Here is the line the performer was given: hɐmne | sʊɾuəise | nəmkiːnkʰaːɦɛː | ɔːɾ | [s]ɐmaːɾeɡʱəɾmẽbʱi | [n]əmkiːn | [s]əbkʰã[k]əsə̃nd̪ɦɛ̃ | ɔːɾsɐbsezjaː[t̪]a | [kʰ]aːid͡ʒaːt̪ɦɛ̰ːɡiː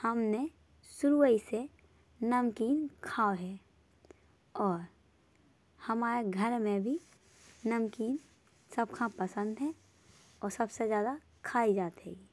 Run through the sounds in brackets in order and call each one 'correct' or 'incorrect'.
incorrect: h, correct, correct, incorrect: p, incorrect: d̪, correct

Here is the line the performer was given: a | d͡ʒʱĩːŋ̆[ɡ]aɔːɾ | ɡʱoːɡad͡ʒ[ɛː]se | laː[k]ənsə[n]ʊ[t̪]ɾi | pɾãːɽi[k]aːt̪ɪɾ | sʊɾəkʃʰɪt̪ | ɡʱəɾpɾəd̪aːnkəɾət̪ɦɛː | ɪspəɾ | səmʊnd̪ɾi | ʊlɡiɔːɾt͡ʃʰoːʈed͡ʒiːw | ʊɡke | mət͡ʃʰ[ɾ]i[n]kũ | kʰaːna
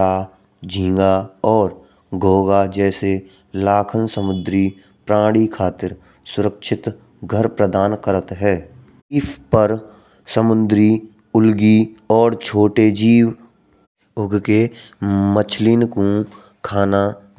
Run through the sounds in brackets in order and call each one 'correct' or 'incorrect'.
correct, correct, incorrect: kʰ, incorrect: m, incorrect: d̪, incorrect: kʰ, incorrect: l, correct

